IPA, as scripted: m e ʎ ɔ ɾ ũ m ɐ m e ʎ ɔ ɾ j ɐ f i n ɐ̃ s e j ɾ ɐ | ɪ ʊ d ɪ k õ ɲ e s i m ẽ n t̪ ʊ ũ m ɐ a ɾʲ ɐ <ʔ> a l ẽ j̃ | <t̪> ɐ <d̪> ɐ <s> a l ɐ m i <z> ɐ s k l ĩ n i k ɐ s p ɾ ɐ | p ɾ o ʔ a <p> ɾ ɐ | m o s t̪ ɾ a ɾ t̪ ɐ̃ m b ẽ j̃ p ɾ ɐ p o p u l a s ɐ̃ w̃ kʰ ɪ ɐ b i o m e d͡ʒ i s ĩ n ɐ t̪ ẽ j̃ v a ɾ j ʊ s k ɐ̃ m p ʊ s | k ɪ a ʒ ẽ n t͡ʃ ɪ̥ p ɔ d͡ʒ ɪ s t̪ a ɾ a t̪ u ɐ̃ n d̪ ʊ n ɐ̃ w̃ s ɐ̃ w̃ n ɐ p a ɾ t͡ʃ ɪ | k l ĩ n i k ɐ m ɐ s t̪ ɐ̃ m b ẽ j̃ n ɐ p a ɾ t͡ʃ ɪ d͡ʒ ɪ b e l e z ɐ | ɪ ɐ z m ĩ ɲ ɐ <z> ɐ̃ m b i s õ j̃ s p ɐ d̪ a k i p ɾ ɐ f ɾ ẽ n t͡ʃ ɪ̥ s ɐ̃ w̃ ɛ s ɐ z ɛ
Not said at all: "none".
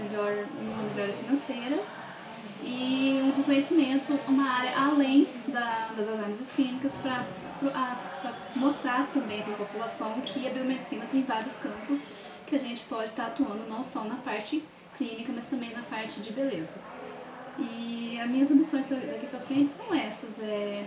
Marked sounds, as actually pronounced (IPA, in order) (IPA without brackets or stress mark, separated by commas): ʔ, d̪, d̪, z, z, p, z